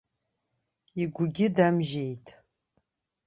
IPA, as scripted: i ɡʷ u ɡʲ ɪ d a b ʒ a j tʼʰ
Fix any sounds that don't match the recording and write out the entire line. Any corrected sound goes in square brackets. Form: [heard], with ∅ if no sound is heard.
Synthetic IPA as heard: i ɡʷ [ʊ] ɡʲ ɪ d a [m] ʒ [e] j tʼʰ